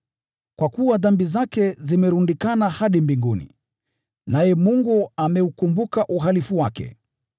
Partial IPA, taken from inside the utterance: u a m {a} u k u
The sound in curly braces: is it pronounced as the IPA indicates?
no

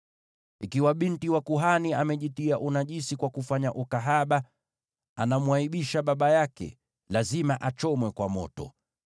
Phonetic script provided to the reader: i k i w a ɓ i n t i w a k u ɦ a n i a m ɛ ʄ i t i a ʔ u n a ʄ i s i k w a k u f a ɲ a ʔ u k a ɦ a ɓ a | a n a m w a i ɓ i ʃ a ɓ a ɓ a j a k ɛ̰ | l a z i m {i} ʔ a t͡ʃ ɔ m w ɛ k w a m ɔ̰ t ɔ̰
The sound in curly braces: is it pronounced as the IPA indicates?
no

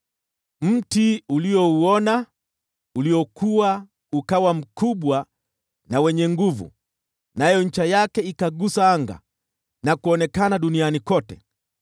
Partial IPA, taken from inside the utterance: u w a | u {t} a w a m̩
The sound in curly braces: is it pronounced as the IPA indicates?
no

